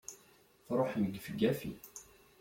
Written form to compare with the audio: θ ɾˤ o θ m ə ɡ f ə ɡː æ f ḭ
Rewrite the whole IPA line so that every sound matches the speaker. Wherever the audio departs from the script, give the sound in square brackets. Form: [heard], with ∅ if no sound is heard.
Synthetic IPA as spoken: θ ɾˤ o [ħ] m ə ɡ f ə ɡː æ f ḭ